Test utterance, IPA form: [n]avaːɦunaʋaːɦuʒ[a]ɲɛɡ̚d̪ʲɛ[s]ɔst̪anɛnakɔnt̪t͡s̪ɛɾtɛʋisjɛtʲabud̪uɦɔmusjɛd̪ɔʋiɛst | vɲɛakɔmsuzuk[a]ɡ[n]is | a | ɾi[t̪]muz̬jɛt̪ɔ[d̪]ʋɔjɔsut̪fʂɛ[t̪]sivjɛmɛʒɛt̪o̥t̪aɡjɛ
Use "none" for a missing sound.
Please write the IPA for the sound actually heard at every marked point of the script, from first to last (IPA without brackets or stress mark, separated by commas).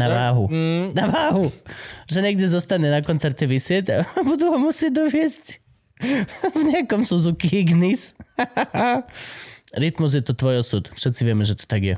n, ɛ, z, i, n, t̪, t̪, t̪